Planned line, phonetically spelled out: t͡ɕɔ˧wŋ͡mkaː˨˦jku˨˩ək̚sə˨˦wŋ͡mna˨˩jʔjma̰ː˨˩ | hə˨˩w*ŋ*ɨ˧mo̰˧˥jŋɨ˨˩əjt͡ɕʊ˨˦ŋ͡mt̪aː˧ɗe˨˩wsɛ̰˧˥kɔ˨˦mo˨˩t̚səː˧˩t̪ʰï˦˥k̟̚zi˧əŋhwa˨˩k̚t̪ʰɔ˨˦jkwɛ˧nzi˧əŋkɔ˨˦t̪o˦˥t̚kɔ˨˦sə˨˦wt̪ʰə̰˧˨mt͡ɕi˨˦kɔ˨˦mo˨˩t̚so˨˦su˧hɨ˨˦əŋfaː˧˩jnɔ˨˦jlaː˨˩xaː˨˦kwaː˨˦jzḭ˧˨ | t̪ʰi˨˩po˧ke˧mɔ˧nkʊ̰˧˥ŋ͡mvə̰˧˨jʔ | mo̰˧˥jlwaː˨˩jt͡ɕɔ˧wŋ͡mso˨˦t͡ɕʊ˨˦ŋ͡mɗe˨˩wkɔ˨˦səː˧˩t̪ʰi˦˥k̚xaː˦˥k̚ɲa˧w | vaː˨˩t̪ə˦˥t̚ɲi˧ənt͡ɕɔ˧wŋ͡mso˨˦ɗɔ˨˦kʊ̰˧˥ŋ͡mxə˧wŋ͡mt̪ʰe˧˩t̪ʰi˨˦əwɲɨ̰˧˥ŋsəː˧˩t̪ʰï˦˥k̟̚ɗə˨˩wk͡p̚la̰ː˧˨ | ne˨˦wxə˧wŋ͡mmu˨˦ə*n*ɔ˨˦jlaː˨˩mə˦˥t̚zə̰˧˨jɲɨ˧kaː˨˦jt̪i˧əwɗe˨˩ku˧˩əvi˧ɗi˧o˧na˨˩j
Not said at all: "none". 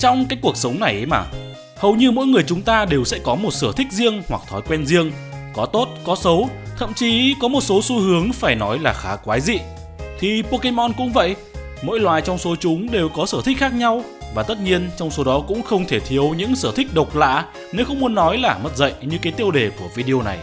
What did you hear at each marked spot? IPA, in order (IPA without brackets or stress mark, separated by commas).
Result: ɲ, nː